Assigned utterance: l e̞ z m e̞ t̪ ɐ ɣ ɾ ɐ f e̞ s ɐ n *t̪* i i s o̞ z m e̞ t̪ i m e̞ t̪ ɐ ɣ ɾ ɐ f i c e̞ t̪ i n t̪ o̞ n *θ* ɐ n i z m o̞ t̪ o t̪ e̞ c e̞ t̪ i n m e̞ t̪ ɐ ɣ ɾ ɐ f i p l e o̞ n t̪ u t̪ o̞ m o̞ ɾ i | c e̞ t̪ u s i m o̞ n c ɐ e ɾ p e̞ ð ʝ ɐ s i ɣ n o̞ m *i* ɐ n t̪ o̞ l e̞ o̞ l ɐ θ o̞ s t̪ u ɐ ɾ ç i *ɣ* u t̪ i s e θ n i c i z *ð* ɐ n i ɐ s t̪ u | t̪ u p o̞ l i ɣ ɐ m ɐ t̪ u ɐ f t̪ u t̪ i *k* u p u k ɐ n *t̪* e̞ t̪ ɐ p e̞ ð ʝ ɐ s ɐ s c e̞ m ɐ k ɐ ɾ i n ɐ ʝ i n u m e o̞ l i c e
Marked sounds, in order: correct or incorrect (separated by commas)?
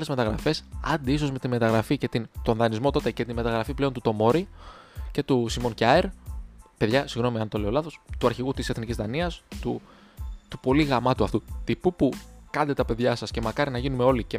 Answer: incorrect, incorrect, correct, correct, correct, incorrect, incorrect